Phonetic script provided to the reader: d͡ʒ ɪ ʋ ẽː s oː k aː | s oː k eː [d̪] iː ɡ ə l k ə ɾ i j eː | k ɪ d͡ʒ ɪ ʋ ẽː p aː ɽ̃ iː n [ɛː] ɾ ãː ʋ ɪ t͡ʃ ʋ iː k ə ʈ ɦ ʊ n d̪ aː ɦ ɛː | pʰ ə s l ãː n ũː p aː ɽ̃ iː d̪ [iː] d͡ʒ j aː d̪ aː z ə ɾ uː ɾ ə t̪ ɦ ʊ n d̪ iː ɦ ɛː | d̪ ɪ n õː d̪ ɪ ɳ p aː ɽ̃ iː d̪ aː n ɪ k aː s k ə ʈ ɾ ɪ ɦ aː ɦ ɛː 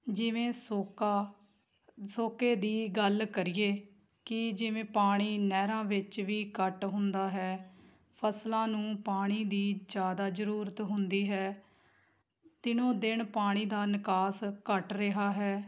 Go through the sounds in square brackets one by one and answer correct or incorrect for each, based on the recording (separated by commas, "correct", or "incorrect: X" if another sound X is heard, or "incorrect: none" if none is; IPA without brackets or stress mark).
correct, correct, correct